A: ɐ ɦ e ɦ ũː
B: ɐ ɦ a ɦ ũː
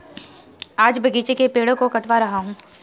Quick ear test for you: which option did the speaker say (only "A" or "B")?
B